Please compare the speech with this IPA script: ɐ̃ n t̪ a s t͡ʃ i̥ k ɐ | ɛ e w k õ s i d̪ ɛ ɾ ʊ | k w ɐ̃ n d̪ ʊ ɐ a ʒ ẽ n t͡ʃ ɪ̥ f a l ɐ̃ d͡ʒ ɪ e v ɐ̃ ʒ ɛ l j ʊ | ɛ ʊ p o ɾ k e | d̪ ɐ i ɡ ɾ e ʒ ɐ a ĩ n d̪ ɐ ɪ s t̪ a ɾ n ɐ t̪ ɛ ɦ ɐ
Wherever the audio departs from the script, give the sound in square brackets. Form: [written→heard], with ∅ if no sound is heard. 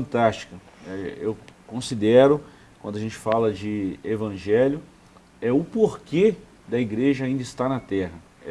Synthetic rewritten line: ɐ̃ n t̪ a s t͡ʃ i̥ k ɐ | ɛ e w k õ s i d̪ ɛ ɾ ʊ | k w ɐ̃ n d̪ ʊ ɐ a ʒ ẽ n t͡ʃ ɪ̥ f a l [ɐ̃→ɐ] d͡ʒ ɪ e v ɐ̃ ʒ ɛ l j ʊ | ɛ ʊ p o ɾ k e | d̪ ɐ i ɡ ɾ e ʒ ɐ a ĩ n d̪ ɐ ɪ s t̪ a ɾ n ɐ t̪ ɛ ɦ ɐ